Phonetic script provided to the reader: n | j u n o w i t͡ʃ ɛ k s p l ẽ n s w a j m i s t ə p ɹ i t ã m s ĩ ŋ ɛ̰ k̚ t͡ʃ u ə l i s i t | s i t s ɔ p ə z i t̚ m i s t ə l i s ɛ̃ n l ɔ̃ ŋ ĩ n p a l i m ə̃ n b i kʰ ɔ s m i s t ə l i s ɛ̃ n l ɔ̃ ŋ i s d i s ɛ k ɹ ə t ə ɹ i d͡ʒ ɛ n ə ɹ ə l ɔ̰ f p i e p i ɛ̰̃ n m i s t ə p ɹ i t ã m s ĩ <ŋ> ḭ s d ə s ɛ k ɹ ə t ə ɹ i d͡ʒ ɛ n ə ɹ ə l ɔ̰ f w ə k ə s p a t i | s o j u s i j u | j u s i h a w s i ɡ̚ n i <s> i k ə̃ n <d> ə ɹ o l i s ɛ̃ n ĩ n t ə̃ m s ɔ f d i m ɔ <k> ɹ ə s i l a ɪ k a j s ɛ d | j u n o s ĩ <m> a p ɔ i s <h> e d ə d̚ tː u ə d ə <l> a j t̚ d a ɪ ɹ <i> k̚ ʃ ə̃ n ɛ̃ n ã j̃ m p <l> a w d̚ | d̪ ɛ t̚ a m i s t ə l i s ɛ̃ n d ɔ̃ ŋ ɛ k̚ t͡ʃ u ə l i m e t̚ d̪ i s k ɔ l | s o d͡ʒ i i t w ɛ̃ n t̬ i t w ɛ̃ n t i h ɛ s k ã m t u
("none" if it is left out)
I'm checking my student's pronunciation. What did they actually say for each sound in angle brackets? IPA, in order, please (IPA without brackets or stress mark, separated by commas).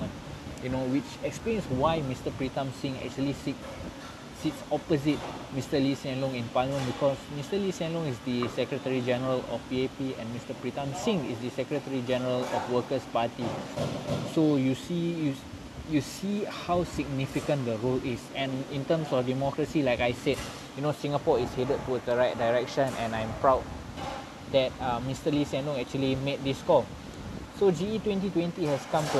ŋ, f, d, k, ŋ, h, ɹ, ɛ, ɹ